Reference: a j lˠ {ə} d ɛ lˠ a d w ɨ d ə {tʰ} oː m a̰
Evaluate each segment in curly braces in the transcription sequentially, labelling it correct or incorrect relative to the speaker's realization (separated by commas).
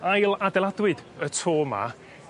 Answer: incorrect, correct